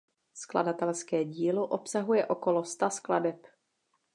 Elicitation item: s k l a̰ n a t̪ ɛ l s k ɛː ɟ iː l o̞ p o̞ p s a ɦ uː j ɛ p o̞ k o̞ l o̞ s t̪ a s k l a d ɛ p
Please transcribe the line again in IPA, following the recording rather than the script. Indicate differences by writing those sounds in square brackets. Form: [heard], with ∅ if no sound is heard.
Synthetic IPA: s k l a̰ [d] a t̪ ɛ l s k ɛː ɟ iː l o̞ [ʔ] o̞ p s a ɦ [u] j ɛ [ʔ] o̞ k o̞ l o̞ s t̪ a s k l a d ɛ p